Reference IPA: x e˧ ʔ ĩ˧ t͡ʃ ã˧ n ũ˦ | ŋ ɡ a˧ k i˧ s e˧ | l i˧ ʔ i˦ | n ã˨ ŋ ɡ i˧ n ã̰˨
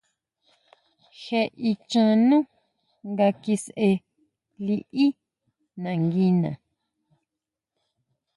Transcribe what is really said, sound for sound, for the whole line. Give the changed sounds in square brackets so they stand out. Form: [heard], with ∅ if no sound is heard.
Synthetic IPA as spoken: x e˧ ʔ [i˧] t͡ʃ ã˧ n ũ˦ | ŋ ɡ a˧ k i˧ s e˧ | l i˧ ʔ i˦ | n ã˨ ŋ ɡ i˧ n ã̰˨

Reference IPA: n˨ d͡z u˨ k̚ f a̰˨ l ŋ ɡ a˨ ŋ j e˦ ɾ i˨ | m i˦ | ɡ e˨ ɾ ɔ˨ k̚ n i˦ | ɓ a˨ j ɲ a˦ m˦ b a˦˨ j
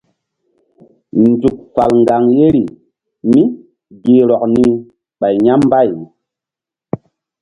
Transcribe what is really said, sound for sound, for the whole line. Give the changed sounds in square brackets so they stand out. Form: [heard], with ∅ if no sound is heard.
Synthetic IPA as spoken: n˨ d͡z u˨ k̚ f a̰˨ l ŋ ɡ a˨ ŋ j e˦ ɾ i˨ | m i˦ | ɡ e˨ ɾ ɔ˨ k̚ n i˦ | ɓ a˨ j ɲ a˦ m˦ b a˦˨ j

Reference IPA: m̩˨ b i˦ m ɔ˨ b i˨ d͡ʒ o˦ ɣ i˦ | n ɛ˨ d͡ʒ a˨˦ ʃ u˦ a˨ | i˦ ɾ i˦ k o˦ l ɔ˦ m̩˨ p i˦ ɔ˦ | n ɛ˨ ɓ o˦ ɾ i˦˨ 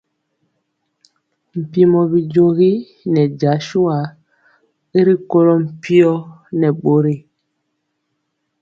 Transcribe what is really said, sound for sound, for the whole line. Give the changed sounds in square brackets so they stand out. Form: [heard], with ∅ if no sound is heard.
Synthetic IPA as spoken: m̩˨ [p] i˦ m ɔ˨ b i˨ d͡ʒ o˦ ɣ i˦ | n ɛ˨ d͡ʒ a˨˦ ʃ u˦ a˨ | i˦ ɾ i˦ k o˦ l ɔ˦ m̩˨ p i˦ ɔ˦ | n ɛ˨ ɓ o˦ ɾ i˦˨

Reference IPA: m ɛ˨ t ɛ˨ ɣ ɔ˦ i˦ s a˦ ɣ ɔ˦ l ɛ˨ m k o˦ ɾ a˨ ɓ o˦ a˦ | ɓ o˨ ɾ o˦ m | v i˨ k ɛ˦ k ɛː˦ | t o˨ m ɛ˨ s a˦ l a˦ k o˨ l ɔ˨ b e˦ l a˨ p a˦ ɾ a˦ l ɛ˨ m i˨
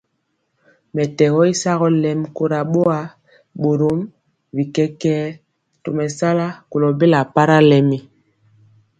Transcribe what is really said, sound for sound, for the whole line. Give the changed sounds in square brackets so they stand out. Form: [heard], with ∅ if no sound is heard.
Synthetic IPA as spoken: m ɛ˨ t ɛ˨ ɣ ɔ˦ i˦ s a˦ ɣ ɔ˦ l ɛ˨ m k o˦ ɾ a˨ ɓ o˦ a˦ | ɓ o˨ ɾ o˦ m | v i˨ k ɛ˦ k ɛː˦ | t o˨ m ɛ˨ s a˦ l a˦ k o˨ l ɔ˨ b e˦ l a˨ p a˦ ɾ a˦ l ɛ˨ m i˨

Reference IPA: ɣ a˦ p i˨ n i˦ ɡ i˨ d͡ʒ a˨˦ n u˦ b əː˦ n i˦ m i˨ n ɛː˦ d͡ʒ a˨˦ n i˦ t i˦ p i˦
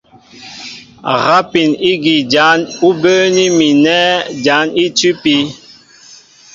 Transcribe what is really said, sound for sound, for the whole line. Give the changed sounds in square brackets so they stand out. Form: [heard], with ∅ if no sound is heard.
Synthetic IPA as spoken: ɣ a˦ p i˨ n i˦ ɡ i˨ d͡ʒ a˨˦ n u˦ b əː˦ n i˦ m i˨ n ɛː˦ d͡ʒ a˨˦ n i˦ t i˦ p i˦

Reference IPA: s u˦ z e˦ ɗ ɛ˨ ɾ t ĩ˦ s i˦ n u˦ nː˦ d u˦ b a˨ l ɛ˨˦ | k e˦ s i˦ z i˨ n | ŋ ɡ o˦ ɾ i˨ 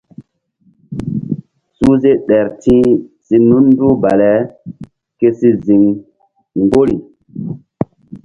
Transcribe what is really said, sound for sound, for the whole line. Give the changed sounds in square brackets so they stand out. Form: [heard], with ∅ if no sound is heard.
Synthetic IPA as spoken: s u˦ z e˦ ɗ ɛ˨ ɾ t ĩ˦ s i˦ n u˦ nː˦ d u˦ b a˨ l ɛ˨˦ | k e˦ s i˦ z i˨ [ŋ] | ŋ ɡ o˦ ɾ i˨

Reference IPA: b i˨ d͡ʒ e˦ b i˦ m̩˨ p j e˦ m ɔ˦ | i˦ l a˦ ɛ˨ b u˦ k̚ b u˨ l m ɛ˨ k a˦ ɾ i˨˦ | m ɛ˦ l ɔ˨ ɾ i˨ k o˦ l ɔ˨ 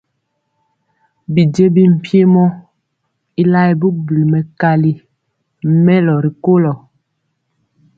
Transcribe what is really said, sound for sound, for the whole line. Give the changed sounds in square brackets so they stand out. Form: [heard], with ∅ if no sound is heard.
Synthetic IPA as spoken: b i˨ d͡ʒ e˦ b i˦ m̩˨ p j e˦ m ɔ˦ | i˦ l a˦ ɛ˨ b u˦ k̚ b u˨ l m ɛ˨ k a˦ [l] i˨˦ | m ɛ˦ l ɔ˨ ɾ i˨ k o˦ l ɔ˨

